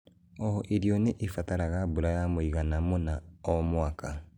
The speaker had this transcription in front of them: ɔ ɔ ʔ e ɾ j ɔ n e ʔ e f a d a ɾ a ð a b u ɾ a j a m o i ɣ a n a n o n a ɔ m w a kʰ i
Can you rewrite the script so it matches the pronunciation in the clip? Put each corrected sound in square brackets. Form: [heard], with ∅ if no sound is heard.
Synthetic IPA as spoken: ɔ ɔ ʔ e ɾ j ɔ n e ʔ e f a [t] a ɾ a [ɣ] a b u ɾ a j a m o i ɣ a n a [m] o n a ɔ m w a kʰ [a]